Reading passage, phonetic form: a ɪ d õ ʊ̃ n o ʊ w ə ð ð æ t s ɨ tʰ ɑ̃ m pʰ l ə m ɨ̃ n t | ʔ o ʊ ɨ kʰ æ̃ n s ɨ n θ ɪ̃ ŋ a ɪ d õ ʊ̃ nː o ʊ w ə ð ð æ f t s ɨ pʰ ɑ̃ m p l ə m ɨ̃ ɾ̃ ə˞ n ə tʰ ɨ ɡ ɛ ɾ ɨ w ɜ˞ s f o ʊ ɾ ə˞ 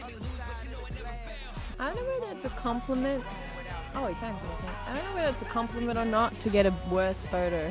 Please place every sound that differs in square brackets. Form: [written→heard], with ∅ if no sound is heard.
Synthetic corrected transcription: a ɪ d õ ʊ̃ n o ʊ w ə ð ð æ t s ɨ [tʰ→kʰ] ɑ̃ m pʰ l ə m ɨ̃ n t | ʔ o ʊ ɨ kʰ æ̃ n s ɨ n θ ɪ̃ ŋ a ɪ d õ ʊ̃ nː o ʊ w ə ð ð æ [f→∅] t s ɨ [pʰ→kʰ] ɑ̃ m p l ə m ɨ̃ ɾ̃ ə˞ n ə tʰ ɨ ɡ ɛ ɾ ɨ w ɜ˞ s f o ʊ ɾ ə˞

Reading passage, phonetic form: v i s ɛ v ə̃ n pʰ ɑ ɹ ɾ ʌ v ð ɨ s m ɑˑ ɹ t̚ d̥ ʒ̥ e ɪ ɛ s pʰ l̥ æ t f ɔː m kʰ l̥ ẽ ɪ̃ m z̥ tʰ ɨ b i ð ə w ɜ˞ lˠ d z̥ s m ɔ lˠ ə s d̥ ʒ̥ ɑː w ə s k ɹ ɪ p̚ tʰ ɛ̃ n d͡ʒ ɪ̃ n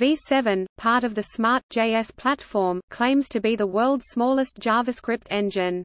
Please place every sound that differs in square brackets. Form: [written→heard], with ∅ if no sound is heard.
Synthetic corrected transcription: v i s ɛ v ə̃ n pʰ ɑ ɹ ɾ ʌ v ð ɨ s m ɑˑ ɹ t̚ d̥ ʒ̥ e ɪ ɛ s pʰ l̥ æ t f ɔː m kʰ l̥ ẽ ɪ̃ m z̥ tʰ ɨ b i ð ə w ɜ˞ lˠ d z̥ s m ɔ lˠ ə s d̥ ʒ̥ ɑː [w→v] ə s k ɹ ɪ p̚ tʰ ɛ̃ n d͡ʒ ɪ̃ n

